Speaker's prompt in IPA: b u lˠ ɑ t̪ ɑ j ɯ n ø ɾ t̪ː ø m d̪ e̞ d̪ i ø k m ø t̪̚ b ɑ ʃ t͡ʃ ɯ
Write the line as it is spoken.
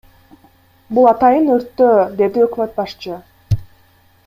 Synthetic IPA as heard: b u lˠ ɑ t̪ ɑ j ɯ n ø ɾ t̪ː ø d̪ e̞ d̪ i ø k m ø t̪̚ b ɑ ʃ t͡ʃ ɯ